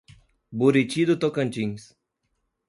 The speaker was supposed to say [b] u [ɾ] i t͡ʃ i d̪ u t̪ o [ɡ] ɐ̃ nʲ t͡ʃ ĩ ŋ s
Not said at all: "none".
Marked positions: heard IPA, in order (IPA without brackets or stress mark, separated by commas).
b, ɾ, k